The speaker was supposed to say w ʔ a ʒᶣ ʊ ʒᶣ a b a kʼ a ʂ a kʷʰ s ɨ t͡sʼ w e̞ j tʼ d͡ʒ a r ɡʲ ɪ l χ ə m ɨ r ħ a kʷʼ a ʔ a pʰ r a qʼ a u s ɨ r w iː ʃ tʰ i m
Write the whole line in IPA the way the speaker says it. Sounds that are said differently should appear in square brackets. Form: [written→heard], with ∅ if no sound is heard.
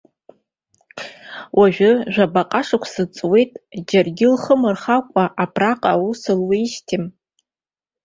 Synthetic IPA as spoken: w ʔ a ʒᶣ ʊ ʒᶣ a b a [kʼ→qʼ] a ʂ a kʷʰ s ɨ t͡sʼ w e̞ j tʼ d͡ʒ a r ɡʲ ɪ l χ ə m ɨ r [ħ→χ] a kʷʼ a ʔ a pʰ r a qʼ a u s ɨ [r→l] w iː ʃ tʰ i m